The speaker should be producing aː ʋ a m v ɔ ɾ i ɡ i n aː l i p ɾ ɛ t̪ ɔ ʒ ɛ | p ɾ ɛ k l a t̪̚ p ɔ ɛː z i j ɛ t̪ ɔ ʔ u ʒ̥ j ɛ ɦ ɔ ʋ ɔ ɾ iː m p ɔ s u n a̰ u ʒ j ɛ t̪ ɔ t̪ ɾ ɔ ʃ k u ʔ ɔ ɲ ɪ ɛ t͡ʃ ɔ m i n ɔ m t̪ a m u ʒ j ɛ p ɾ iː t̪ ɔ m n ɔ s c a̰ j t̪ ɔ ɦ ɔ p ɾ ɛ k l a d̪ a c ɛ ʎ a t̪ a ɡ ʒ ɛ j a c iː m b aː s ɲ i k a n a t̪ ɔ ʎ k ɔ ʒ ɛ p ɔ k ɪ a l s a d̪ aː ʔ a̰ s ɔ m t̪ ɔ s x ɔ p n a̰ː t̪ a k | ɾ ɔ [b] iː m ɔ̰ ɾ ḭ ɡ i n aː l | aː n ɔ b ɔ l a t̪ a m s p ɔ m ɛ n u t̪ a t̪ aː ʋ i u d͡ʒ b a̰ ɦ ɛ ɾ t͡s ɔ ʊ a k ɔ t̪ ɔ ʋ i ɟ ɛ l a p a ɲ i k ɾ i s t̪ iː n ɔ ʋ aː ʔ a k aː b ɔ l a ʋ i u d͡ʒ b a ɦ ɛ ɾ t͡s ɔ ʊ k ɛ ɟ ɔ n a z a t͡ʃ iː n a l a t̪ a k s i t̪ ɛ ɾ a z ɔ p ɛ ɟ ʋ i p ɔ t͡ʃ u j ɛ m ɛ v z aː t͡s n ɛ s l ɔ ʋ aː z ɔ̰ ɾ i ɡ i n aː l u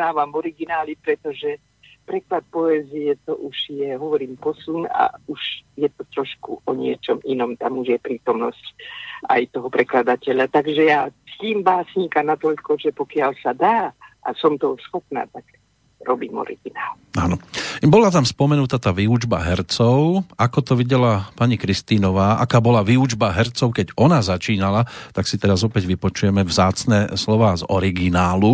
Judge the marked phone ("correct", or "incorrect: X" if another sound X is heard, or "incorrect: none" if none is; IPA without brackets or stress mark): correct